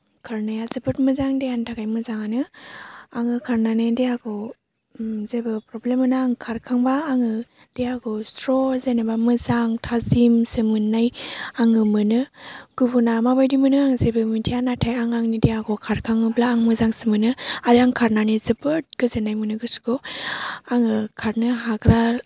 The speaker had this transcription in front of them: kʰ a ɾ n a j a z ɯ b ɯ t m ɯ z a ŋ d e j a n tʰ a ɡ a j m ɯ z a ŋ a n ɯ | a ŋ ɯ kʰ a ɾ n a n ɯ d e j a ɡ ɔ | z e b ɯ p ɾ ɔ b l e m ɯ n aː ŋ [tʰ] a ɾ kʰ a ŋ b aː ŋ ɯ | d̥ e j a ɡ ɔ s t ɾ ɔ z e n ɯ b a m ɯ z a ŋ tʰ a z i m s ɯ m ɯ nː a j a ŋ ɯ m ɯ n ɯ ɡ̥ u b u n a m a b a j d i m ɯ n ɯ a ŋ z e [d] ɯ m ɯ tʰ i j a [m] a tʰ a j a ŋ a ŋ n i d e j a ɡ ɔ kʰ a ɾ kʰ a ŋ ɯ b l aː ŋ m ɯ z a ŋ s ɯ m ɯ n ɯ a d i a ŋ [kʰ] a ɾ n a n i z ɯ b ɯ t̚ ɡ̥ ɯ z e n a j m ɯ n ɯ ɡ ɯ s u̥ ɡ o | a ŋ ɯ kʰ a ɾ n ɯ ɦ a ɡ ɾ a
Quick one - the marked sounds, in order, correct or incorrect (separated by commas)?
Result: incorrect, incorrect, incorrect, correct